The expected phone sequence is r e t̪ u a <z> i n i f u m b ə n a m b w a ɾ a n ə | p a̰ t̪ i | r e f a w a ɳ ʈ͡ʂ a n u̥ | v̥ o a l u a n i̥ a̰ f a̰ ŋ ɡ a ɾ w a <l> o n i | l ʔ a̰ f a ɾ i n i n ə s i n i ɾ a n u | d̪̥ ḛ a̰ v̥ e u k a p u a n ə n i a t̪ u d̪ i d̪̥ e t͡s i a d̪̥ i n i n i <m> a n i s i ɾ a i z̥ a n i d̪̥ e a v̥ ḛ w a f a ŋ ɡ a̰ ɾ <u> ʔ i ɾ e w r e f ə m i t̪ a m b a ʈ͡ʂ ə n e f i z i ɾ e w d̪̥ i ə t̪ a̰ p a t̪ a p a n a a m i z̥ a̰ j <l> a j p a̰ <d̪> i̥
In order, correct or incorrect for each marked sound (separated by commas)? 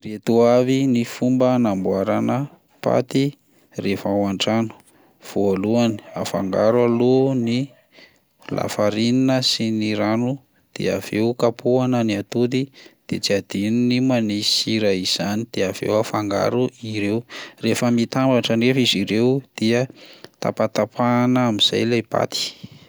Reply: incorrect, correct, correct, correct, correct, incorrect